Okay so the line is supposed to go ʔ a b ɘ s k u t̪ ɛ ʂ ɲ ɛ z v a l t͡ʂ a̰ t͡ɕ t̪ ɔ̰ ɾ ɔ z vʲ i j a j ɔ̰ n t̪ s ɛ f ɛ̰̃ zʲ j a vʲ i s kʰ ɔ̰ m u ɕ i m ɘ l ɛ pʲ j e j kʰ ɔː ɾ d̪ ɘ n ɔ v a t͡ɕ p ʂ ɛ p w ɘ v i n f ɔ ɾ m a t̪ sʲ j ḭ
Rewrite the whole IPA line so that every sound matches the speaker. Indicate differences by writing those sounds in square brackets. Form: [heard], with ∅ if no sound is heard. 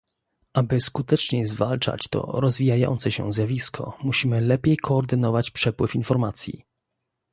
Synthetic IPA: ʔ a b ɘ s k u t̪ ɛ [t͡ʂ] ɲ ɛ z v a l t͡ʂ a̰ t͡ɕ t̪ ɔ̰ ɾ ɔ z vʲ i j a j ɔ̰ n t̪ s ɛ [ɕ] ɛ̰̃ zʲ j a vʲ i s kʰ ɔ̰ m u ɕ i m ɘ l ɛ pʲ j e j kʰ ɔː ɾ d̪ ɘ n ɔ v a t͡ɕ p ʂ ɛ p w ɘ [f] i n f ɔ ɾ m a t̪ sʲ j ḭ